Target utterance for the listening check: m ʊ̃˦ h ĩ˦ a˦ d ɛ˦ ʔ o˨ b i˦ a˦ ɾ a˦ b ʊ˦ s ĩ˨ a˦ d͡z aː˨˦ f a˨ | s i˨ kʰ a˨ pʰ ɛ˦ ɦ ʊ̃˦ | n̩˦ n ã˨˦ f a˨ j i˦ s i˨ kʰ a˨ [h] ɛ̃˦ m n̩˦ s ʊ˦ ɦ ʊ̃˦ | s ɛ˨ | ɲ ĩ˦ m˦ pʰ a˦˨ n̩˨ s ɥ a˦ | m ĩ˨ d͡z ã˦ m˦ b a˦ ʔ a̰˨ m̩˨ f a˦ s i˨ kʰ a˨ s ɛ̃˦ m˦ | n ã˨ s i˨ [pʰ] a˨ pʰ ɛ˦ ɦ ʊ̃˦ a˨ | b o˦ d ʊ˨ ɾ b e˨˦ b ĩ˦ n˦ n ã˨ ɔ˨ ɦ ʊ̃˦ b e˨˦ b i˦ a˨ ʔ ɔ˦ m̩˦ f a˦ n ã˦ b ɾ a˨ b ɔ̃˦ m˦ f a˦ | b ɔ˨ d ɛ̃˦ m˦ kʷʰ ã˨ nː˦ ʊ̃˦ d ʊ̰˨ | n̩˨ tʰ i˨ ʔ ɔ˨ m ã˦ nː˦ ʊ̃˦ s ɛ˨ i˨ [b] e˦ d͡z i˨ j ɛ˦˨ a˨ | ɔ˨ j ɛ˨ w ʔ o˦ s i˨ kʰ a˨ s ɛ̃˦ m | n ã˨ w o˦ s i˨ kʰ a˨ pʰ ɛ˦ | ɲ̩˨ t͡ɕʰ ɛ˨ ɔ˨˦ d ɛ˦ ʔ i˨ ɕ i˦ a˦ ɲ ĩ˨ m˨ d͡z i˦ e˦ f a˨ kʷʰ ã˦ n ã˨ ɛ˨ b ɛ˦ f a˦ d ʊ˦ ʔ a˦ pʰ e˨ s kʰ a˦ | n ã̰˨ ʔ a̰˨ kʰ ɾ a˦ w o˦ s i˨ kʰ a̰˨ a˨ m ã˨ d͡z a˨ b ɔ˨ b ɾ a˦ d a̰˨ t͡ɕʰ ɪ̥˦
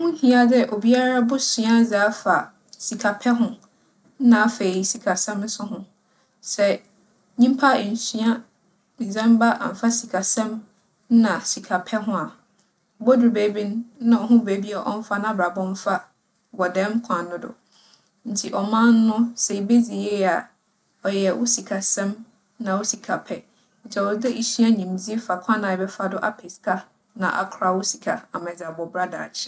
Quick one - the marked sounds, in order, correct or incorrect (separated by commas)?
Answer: incorrect, incorrect, correct